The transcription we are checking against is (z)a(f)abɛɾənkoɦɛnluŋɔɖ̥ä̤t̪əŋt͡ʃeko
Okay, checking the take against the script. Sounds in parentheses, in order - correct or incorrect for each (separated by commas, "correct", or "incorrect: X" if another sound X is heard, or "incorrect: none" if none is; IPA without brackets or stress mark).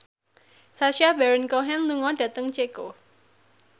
incorrect: s, incorrect: ʃ